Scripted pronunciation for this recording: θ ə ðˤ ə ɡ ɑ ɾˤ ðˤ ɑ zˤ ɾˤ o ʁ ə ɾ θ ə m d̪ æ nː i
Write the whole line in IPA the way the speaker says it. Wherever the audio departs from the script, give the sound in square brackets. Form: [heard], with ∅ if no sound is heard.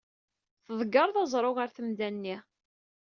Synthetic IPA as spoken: θ ə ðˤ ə ɡ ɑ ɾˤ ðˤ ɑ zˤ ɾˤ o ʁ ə ɾ θ ə m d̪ æ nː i